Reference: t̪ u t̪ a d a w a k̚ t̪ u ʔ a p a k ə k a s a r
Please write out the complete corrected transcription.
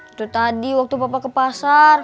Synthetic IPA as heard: t̪ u t̪ a d i w a k̚ t̪ u p a p a k ə p a s a r